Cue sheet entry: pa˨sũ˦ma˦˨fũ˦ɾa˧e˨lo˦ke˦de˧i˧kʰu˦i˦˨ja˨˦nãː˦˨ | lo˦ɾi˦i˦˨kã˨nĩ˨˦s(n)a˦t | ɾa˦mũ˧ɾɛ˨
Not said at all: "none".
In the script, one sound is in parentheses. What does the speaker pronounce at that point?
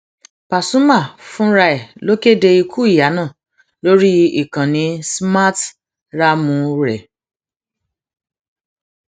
m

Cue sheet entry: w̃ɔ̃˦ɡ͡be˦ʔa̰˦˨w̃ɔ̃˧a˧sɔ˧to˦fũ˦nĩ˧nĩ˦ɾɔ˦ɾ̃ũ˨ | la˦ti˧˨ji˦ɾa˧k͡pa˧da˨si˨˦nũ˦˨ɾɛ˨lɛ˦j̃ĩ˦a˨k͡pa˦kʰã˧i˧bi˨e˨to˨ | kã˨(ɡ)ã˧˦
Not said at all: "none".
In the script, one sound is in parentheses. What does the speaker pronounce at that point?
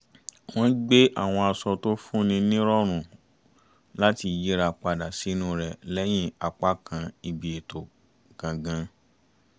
ɡ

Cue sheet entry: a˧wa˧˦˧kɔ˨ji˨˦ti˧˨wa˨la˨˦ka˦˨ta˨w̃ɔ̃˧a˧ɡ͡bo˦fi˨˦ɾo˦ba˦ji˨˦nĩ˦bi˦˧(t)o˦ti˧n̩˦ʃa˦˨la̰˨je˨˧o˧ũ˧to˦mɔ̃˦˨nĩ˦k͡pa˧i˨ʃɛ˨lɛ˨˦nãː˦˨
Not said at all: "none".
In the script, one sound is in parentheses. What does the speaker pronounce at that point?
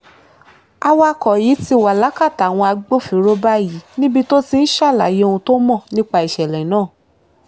t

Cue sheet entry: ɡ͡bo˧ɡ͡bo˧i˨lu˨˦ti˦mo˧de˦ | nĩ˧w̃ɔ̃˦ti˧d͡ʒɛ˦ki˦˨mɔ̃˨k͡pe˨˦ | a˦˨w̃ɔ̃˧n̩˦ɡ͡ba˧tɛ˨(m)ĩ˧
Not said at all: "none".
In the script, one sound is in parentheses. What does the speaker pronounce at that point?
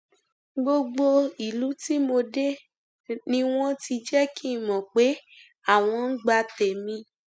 m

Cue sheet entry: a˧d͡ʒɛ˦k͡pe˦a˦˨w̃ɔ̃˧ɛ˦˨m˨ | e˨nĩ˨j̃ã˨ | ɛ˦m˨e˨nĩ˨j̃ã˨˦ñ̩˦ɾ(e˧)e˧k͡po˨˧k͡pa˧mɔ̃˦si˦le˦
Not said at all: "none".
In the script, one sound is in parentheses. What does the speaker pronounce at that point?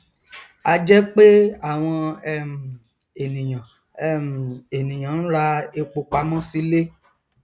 a˧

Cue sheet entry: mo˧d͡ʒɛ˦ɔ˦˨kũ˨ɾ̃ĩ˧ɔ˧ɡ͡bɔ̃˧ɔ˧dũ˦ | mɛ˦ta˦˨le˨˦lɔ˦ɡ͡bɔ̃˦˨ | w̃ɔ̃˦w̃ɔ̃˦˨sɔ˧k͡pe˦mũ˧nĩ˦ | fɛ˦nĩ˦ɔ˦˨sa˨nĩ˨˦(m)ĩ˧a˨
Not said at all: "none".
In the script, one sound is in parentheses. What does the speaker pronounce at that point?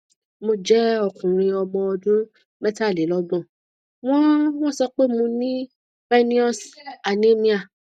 m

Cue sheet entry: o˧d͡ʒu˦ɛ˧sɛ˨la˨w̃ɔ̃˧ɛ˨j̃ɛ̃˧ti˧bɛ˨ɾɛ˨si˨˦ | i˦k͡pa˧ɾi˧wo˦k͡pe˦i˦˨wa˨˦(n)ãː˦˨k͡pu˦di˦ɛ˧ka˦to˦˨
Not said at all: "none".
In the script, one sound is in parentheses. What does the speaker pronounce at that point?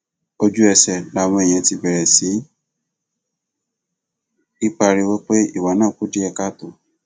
n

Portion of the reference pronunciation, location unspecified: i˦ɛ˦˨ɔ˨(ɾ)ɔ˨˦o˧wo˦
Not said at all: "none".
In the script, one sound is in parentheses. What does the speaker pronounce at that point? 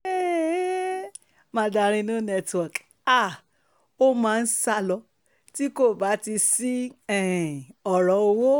ɾ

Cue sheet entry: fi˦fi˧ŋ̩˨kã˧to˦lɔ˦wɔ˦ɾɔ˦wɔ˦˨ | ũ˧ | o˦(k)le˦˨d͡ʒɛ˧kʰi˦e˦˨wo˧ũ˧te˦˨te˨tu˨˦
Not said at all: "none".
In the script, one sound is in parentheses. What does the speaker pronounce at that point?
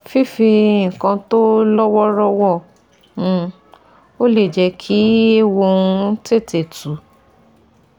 none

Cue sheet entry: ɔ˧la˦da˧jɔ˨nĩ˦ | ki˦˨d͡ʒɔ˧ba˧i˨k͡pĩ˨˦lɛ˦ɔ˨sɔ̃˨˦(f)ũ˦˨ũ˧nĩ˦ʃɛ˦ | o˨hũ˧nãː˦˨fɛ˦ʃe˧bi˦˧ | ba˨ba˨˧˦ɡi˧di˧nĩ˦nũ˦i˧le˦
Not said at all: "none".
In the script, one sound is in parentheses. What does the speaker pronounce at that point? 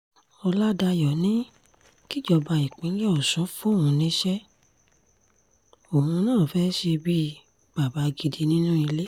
f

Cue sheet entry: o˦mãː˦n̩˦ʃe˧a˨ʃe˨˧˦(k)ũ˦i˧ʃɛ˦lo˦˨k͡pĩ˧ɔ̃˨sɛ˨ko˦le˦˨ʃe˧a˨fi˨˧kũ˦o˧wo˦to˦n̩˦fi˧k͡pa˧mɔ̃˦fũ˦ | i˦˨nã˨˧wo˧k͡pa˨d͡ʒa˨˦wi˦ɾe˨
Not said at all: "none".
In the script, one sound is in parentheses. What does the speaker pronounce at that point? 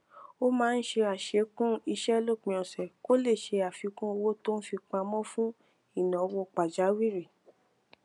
k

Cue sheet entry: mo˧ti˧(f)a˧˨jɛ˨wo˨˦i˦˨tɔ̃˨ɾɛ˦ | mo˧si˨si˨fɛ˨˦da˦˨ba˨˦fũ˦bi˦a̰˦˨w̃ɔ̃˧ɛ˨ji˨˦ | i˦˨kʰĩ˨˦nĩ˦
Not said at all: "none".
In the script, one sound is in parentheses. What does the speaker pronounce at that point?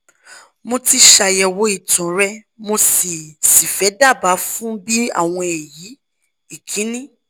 ʃ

